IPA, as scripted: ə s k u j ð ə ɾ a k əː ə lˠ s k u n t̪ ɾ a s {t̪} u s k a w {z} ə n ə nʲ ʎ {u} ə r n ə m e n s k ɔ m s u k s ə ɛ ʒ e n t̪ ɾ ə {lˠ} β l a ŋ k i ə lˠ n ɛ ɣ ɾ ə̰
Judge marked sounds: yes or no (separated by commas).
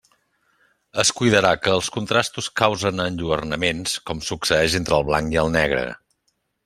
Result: yes, yes, yes, yes